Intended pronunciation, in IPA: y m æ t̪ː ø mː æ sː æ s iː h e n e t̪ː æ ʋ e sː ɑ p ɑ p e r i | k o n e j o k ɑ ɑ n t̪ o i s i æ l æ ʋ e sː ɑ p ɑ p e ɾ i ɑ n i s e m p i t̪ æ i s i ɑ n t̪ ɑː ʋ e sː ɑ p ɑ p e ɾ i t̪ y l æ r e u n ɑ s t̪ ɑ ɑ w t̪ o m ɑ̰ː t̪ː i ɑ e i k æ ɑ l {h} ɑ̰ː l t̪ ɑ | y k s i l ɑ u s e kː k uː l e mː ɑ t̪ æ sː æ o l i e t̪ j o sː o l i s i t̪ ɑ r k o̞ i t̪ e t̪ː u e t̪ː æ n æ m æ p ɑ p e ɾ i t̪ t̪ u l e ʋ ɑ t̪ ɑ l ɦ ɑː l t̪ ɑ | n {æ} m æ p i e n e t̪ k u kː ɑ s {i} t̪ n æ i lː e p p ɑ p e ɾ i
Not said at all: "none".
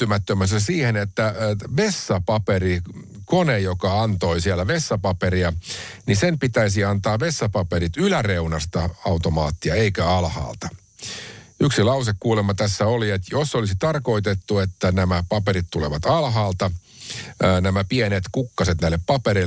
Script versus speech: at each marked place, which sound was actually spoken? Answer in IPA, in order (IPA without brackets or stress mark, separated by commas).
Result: h, æ, e